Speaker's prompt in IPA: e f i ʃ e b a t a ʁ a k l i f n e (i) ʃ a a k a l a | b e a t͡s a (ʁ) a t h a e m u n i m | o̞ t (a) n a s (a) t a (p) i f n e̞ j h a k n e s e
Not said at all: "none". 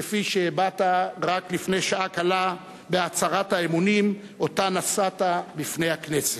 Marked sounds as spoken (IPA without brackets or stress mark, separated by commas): j, ʁ, a, a, b